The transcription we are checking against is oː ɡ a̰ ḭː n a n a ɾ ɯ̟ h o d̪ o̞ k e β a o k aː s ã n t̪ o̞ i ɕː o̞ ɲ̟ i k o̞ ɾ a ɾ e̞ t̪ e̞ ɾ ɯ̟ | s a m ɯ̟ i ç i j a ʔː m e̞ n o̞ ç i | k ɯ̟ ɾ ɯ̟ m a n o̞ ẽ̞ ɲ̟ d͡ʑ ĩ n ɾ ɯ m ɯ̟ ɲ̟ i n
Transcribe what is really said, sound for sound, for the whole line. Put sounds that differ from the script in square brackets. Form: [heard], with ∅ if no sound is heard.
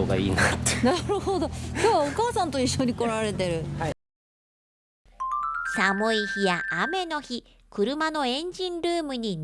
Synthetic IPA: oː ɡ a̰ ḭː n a n a ɾ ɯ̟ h o d̪ o̞ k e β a o k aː s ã n t̪ o̞ i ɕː o̞ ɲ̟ i k o̞ ɾ a ɾ e̞ t̪ e̞ ɾ ɯ̟ | s a m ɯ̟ i ç i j a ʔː m e̞ n o̞ ç i | k ɯ̟ ɾ ɯ̟ m a n o̞ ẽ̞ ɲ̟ d͡ʑ ĩ n ɾ [ɯː] m ɯ̟ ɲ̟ i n